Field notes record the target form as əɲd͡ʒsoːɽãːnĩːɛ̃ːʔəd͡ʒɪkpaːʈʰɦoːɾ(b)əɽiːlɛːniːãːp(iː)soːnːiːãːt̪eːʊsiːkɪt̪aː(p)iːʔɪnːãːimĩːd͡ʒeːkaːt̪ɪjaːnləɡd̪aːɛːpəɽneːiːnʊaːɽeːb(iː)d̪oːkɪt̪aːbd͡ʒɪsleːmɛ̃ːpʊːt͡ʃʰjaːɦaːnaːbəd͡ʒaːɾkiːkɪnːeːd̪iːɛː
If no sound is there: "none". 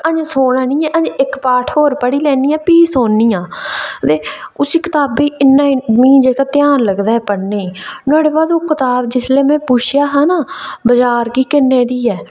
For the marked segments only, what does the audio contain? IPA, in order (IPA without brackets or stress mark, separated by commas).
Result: p, iː, b, aː